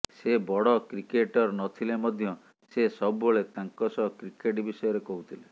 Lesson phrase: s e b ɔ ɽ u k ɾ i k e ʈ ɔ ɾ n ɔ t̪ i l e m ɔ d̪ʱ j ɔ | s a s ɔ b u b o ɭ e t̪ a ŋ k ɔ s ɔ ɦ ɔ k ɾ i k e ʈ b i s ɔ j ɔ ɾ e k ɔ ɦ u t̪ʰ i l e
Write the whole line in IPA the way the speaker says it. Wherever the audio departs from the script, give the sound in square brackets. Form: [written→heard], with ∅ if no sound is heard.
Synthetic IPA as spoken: s e b ɔ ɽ [u→ɔ] k ɾ i k e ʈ ɔ ɾ n ɔ [t̪→t̪ʰ] i l e m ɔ d̪ʱ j ɔ | s [a→e] s ɔ b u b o ɭ e t̪ a ŋ k ɔ s ɔ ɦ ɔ k ɾ i k e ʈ b i s ɔ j ɔ ɾ e k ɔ ɦ u t̪ʰ i l e

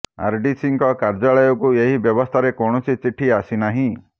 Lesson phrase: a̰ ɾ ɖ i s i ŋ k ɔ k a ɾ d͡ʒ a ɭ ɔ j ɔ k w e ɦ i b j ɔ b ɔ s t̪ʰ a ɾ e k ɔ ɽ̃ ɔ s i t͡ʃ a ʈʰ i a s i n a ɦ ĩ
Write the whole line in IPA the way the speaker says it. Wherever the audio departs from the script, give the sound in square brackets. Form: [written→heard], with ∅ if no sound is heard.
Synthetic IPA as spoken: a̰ ɾ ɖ i s i ŋ k ɔ k a ɾ d͡ʒ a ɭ ɔ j ɔ k [w→u] e ɦ i b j ɔ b ɔ s t̪ʰ a ɾ e k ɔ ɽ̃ ɔ s i t͡ʃ [a→i] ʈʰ i a s i n a ɦ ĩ

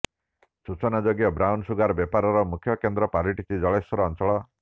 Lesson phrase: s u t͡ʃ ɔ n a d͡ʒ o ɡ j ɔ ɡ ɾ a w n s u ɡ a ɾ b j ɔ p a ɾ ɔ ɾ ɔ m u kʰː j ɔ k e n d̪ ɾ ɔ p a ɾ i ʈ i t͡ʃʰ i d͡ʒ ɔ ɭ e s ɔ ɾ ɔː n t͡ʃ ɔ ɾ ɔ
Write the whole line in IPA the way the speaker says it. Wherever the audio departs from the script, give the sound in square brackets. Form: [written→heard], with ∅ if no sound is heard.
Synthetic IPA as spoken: s u t͡ʃ ɔ n a d͡ʒ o ɡ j ɔ [ɡ→b] ɾ a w n s u ɡ a ɾ b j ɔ p a ɾ ɔ ɾ ɔ m u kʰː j ɔ k e n d̪ ɾ ɔ p a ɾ i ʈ i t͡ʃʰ i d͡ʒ ɔ ɭ e s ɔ ɾ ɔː n t͡ʃ ɔ [ɾ→ɭ] ɔ

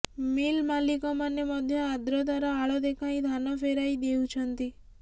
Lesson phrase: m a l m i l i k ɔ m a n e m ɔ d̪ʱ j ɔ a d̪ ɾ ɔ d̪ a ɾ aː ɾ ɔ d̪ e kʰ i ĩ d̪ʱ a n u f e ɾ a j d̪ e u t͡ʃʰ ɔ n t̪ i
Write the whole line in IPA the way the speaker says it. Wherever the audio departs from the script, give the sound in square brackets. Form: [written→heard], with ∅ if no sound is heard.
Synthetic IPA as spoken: m [a→i] l m [i→a] l i k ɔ m a n e m ɔ d̪ʱ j ɔ a d̪ ɾ ɔ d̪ a ɾ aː [ɾ→ɭ] ɔ d̪ e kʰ [i→a] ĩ d̪ʱ a n [u→ɔ] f e ɾ a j d̪ e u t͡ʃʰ ɔ n t̪ i

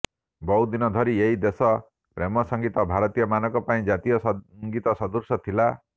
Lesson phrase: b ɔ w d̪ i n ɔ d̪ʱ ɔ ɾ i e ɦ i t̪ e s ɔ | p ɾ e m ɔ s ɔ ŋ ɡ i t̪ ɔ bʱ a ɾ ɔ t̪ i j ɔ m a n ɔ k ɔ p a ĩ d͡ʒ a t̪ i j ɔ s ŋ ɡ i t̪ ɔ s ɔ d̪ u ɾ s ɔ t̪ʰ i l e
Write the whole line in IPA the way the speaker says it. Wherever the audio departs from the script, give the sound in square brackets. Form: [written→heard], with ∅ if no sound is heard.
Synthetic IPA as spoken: b ɔ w d̪ i n ɔ d̪ʱ ɔ ɾ i e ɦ i [t̪→d̪] e s ɔ | p ɾ e m ɔ s ɔ ŋ ɡ i t̪ ɔ bʱ a ɾ ɔ t̪ i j ɔ m a n ɔ k ɔ p a ĩ d͡ʒ a t̪ i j ɔ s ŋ ɡ i t̪ ɔ s ɔ d̪ u ɾ s ɔ t̪ʰ i l [e→a]

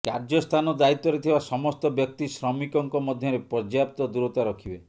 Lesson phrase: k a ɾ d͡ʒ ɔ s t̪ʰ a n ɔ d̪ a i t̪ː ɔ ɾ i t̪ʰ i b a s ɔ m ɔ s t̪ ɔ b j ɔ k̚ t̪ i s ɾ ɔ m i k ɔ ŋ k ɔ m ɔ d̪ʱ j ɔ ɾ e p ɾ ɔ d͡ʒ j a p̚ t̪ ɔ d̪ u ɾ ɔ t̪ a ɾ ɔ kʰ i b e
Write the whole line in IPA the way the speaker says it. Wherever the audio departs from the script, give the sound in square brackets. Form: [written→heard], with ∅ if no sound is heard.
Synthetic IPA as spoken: k a ɾ d͡ʒ ɔ s t̪ʰ a n ɔ d̪ a i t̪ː ɔ ɾ [i→e] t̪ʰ i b a s ɔ m ɔ s t̪ ɔ b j ɔ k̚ t̪ i s ɾ ɔ m i k ɔ ŋ k ɔ m ɔ d̪ʱ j ɔ ɾ e p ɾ ɔ d͡ʒ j a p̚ t̪ ɔ d̪ u ɾ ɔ t̪ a ɾ ɔ kʰ i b e

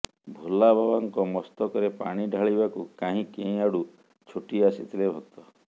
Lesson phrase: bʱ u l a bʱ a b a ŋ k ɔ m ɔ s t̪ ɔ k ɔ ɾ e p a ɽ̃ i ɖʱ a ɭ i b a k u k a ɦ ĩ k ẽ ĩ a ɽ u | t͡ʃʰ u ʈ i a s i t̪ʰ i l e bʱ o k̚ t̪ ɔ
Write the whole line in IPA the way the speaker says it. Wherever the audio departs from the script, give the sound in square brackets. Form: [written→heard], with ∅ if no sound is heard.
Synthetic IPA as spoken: bʱ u l a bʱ a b a ŋ k ɔ m ɔ s t̪ ɔ k ɔ ɾ e p a ɽ̃ i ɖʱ a ɭ i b a k u k a ɦ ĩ k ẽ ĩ a ɽ u | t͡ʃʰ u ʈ i a s i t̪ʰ i l e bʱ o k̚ t̪ ɔ

